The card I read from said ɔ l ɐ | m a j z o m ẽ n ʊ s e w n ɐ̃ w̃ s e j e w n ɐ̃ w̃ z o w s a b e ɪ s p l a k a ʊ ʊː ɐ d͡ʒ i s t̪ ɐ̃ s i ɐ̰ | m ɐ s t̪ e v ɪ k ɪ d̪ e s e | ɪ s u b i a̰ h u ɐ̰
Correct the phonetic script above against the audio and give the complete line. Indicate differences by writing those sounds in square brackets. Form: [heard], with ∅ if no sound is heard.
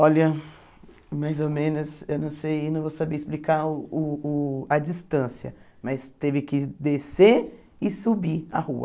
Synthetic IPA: ɔ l ɐ | m a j z o m ẽ n ʊ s e w n ɐ̃ w̃ s e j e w n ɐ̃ w̃ [v] o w s a b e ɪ s p l [i] k a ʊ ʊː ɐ d͡ʒ i s t̪ ɐ̃ s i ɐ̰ | m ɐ s t̪ e v ɪ k ɪ d̪ e s e | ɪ s u b i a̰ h u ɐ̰